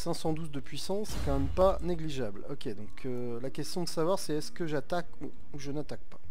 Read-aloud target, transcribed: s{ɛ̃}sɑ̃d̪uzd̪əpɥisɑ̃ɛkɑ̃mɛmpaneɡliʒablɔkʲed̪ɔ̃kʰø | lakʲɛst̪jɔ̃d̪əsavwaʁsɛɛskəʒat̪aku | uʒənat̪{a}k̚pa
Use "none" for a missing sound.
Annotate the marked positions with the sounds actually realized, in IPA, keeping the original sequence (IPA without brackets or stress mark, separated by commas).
ɛ̃, a